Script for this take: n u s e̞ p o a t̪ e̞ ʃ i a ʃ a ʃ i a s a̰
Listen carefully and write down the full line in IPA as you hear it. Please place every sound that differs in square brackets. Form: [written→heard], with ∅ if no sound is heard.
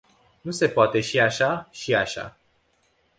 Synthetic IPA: n u s e̞ p o a t̪ e̞ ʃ i a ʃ a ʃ i a [s→ʃ] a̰